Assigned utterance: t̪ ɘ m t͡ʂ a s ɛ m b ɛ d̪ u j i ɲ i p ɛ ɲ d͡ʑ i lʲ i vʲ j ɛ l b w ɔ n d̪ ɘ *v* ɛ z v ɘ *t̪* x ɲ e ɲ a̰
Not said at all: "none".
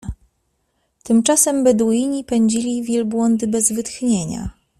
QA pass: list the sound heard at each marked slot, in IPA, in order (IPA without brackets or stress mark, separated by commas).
b, t̪